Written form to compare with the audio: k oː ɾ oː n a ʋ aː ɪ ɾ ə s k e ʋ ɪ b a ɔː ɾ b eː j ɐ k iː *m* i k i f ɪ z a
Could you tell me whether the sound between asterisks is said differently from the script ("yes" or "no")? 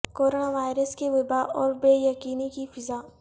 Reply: yes